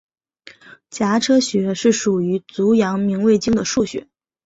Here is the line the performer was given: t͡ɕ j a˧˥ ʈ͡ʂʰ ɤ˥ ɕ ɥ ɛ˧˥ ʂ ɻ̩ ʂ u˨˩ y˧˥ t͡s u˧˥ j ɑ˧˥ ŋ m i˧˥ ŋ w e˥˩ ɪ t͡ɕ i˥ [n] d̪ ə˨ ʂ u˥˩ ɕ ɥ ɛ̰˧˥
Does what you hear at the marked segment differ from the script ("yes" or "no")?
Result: yes